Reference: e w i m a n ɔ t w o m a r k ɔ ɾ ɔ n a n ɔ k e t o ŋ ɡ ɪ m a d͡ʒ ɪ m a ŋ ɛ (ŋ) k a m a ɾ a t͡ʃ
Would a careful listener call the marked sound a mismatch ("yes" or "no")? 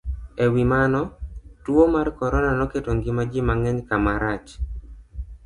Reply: yes